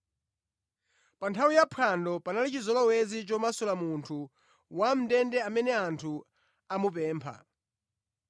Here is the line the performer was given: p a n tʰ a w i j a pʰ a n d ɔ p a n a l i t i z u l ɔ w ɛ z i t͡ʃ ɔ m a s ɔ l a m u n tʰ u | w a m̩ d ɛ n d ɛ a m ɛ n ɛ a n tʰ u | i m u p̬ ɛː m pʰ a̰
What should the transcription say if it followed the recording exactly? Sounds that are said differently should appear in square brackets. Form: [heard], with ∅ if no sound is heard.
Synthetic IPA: p a n tʰ a w i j a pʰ a n d ɔ p a n a l i [t͡ʃ] i z [ɔ] l ɔ w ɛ z i t͡ʃ ɔ m a s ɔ l a m u n tʰ u | w a m̩ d ɛ n d ɛ a m ɛ n ɛ a n tʰ u | [a] m u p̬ ɛː m pʰ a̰